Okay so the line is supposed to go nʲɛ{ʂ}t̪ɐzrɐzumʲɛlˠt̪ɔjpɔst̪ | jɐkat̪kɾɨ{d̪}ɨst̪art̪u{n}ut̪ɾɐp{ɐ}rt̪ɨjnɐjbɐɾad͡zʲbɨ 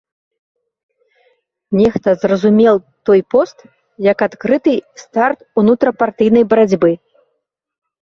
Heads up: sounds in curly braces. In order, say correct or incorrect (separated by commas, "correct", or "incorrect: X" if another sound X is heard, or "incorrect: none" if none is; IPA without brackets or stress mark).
incorrect: x, incorrect: t̪, correct, incorrect: a